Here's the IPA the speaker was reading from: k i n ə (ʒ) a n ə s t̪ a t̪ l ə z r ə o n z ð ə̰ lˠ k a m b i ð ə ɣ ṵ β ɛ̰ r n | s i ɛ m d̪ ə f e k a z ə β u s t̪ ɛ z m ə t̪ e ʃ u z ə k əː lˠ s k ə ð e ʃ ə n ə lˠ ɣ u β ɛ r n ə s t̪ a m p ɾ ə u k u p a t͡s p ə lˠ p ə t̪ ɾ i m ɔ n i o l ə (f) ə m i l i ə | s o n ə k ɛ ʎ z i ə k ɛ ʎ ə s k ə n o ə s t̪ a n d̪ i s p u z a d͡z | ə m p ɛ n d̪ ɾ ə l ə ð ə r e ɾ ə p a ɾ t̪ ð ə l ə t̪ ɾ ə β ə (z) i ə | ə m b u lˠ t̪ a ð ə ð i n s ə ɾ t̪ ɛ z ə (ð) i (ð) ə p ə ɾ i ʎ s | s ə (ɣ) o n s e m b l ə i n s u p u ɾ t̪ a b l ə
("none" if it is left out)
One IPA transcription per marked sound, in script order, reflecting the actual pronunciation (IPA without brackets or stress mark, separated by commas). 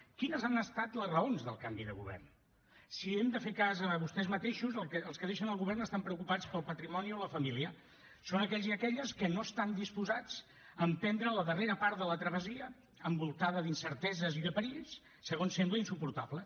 z, f, z, z, ð, ɣ